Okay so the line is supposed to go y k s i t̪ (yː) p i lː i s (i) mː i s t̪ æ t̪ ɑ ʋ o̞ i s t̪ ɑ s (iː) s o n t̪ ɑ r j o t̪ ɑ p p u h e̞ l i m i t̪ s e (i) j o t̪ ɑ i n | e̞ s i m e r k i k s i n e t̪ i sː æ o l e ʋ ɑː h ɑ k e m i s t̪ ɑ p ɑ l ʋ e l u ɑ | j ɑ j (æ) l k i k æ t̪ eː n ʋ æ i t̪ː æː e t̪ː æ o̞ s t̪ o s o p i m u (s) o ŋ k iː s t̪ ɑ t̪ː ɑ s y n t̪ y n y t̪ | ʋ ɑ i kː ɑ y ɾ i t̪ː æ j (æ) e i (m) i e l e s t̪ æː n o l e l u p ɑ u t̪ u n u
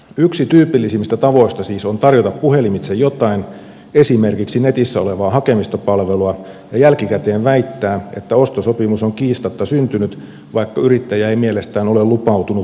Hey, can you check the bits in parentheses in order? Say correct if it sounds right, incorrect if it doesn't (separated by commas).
correct, correct, correct, incorrect, correct, correct, correct, correct